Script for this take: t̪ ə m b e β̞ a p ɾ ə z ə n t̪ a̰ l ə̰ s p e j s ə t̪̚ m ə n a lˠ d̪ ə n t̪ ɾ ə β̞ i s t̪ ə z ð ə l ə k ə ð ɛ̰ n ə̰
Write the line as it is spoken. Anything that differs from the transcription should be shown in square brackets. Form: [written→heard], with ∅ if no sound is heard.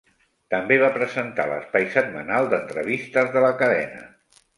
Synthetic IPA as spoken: t̪ ə m b e β̞ a p ɾ ə z ə n t̪ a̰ l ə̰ s p [e→a] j s ə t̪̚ m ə n a lˠ d̪ ə n t̪ ɾ ə β̞ i s t̪ ə z ð ə l ə k ə ð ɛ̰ n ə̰